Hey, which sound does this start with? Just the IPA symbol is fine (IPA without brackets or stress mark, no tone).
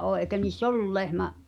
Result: ʔ